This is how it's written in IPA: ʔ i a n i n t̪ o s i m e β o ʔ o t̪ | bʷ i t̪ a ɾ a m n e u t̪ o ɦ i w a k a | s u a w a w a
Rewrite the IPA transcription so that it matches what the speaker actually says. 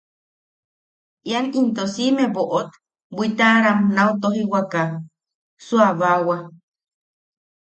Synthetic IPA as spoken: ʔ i a n i n t̪ o s i m e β o ʔ o t̪ | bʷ i t̪ a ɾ a m n a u t̪ o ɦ i w a k a | s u a β a w a